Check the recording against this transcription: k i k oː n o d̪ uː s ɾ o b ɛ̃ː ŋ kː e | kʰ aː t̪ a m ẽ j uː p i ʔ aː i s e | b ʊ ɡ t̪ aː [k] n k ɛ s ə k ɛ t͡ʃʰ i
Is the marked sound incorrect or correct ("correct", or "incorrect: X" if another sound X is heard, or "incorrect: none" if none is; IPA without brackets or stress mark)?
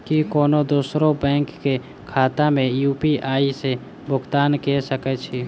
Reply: incorrect: none